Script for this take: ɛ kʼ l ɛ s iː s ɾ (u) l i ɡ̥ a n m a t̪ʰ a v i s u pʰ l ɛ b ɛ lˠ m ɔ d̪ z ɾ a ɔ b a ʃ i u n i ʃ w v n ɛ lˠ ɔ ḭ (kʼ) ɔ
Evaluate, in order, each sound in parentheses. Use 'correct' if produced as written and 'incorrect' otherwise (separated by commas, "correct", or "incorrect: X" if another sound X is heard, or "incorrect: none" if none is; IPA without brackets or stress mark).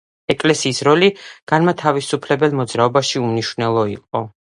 incorrect: ɔ, incorrect: qʼ